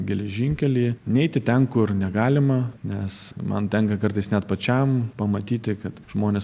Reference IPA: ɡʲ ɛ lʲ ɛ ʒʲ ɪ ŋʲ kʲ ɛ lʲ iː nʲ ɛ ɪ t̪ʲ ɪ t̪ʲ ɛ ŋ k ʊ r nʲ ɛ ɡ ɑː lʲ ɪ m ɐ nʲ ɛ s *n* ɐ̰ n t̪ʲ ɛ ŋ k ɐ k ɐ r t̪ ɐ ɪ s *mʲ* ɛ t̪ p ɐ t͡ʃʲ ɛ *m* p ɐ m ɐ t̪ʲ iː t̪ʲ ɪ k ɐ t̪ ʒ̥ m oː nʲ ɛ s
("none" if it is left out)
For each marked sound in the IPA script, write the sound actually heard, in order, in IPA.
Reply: m, nʲ, m

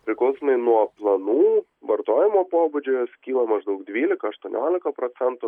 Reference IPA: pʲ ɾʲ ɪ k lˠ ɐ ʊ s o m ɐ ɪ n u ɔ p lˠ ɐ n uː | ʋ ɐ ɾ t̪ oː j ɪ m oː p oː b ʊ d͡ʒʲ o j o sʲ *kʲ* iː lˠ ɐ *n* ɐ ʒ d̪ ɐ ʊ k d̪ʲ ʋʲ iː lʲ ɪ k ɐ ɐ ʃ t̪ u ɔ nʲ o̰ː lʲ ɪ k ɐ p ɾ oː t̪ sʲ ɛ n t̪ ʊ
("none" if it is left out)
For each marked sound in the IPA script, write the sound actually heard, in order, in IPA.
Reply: kʲ, m

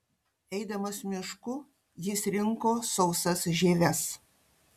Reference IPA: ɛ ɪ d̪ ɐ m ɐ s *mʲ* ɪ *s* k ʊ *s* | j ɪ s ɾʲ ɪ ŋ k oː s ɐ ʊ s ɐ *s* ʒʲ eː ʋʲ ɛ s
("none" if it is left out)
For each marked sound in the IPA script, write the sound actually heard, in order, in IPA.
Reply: mʲ, ʃ, none, s

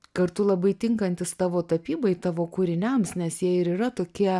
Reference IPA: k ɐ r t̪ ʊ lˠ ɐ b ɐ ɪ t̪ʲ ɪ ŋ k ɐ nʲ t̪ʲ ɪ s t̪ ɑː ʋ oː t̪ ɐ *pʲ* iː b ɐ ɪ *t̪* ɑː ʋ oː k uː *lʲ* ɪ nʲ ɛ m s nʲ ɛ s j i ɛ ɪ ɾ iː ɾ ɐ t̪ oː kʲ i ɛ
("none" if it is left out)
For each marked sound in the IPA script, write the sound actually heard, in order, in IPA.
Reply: pʲ, t̪, ɾʲ

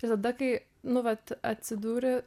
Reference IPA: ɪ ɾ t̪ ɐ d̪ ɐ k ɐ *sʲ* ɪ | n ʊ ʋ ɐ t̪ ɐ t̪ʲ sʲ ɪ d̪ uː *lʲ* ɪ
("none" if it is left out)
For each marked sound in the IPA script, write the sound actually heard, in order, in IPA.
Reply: none, ɾʲ

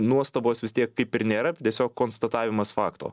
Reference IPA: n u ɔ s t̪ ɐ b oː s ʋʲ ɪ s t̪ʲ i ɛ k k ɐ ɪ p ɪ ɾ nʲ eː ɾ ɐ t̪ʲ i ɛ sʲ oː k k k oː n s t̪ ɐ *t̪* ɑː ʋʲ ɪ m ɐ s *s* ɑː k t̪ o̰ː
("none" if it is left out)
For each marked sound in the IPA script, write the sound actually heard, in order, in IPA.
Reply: t̪, f

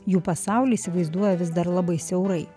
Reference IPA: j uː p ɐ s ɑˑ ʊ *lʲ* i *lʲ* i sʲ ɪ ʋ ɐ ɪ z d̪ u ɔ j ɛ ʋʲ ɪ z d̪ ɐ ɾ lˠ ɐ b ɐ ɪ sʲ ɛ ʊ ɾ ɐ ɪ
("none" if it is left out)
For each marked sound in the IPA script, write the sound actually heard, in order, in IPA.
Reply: lʲ, none

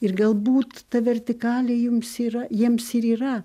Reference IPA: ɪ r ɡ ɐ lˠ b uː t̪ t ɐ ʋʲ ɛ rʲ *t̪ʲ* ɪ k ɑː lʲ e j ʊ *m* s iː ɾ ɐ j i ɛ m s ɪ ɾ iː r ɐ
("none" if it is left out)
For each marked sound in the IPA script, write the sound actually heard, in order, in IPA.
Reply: t̪ʲ, m

